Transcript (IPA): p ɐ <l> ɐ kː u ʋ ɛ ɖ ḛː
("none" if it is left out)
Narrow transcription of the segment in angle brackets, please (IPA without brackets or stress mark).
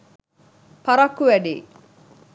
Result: ɾ